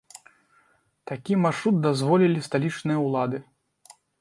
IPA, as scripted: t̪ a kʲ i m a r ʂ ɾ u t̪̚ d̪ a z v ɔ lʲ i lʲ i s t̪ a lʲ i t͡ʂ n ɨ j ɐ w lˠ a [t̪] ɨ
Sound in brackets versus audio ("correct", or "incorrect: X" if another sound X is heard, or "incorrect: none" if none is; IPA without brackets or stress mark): incorrect: d̪